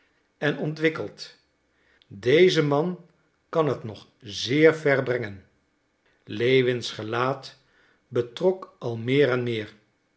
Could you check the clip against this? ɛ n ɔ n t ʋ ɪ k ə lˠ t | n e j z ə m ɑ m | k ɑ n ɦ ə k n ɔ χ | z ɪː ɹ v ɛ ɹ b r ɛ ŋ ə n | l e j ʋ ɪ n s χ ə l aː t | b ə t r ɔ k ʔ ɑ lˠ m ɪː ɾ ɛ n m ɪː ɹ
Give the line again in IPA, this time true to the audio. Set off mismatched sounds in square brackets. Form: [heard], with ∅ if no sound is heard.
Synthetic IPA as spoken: ɛ n ɔ n t ʋ ɪ k ə lˠ t | [d] e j z ə m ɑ [n] | k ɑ n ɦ ə [t] n ɔ χ | z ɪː ɹ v ɛ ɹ b r ɛ ŋ ə n | l e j ʋ ɪ n s χ ə l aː t | b ə t r ɔ k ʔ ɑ lˠ m ɪː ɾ ɛ n m ɪː ɹ